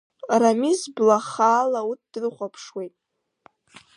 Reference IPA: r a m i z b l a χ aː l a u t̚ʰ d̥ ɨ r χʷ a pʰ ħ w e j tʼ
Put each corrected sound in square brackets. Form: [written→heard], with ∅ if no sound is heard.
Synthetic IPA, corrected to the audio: r a m i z b l a χ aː l a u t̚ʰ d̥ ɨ r χʷ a pʰ [ħ→ʂ] w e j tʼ